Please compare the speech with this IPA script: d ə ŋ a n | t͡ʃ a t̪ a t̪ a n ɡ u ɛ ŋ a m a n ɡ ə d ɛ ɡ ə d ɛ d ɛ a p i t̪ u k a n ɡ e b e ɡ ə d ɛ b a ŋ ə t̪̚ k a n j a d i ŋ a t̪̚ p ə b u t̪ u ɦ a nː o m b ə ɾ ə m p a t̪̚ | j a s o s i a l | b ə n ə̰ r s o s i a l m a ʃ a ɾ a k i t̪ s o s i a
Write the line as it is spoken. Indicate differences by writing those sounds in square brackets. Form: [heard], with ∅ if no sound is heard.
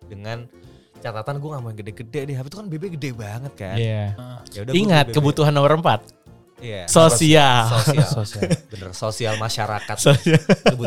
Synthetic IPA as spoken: d ə ŋ a n | t͡ʃ a t̪ a t̪ a n ɡ u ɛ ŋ a m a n ɡ ə d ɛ ɡ ə d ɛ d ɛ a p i t̪ u k a n [b] e b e ɡ ə d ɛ b a ŋ ə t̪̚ k a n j a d i ŋ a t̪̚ [k] ə b u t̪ u ɦ a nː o m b ə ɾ ə m p a t̪̚ | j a s o s i a l | b ə n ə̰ r s o s i a l m a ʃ a ɾ a k [a] t̪ s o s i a